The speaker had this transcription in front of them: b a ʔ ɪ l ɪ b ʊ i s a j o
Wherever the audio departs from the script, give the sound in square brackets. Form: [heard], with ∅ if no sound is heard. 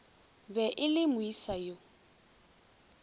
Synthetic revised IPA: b [ɛ] ʔ ɪ l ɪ [m] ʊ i s a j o